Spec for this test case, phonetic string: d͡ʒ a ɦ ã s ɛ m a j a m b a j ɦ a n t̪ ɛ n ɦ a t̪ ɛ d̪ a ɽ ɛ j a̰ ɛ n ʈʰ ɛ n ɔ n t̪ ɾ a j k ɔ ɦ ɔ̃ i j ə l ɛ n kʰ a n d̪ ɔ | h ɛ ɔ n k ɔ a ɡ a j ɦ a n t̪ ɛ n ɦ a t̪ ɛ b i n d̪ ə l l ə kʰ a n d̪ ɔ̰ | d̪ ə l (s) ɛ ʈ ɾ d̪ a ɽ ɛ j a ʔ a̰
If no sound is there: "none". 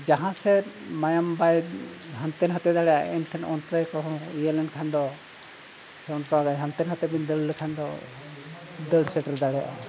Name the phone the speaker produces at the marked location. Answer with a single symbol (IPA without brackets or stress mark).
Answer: s